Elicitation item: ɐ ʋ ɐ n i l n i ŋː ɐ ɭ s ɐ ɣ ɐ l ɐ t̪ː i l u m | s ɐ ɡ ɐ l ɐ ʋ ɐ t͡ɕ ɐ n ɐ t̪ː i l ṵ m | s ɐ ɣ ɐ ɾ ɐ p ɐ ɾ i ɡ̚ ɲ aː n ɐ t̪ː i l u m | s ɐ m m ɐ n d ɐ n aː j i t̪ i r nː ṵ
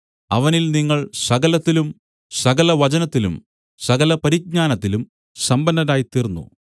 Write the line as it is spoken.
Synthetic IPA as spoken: ɐ ʋ ɐ n i l n i ŋː ɐ ɭ s ɐ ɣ ɐ l ɐ t̪ː i l u m | s ɐ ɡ ɐ l ɐ ʋ ɐ t͡ɕ ɐ n ɐ t̪ː i l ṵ m | s ɐ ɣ ɐ l ɐ p ɐ ɾ i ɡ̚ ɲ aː n ɐ t̪ː i l u m | s ɐ m b ɐ n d ɐ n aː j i t̪ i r nː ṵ